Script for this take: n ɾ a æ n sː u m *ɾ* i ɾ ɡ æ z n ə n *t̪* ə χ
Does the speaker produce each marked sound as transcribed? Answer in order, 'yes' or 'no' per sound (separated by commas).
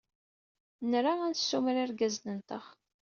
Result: yes, yes